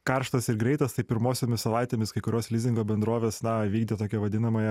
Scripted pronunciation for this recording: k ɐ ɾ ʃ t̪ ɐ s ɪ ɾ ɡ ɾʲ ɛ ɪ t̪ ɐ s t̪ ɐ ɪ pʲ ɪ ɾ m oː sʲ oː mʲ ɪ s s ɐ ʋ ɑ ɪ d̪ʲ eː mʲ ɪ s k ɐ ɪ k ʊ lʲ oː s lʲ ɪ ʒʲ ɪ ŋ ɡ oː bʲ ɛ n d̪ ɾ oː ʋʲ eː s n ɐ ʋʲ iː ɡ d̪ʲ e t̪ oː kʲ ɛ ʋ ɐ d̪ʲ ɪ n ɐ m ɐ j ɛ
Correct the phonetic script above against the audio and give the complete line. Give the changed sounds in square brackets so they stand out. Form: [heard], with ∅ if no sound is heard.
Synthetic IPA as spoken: k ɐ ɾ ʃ t̪ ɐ s ɪ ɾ ɡ ɾʲ ɛ ɪ t̪ ɐ s t̪ ɐ ɪ pʲ ɪ ɾ m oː sʲ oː mʲ ɪ s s ɐ ʋ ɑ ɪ [t̪ʲ] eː mʲ ɪ s k ɐ ɪ k ʊ [ɾʲ] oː s lʲ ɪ [zʲ] ɪ ŋ ɡ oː bʲ ɛ n d̪ ɾ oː ʋʲ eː s n ɐ ʋʲ iː ɡ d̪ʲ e t̪ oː kʲ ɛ ʋ ɐ d̪ʲ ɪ n ɐ m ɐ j ɛ